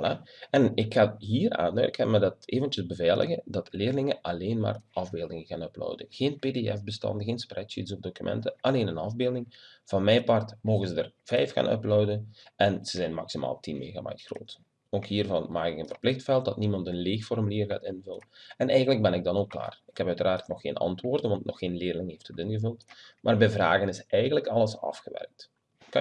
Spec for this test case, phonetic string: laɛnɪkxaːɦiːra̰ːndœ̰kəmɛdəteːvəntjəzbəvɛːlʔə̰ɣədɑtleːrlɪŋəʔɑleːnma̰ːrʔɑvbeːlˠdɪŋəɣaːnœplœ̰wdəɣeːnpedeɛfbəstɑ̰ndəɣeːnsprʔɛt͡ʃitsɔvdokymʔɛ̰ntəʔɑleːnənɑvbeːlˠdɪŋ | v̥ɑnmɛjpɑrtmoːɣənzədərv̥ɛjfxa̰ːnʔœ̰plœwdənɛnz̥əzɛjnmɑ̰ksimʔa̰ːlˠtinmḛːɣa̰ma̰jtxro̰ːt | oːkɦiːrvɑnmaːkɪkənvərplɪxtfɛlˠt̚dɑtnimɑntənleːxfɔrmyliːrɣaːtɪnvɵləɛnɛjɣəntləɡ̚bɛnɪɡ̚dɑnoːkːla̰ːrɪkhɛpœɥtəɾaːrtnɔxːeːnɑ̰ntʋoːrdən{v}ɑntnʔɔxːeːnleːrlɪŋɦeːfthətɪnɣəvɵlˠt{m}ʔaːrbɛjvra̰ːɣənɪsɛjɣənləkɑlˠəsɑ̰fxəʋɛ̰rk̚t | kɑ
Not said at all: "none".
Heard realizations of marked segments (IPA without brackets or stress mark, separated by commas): ʋ, m